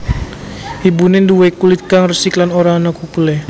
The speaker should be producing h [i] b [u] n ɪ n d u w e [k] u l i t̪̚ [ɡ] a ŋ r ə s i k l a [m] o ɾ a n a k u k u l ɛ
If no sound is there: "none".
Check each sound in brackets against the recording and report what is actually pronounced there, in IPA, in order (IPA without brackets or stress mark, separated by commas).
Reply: i, u, k, k, n